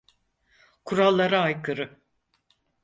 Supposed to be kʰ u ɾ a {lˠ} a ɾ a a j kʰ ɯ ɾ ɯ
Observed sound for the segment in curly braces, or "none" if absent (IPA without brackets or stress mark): lˠː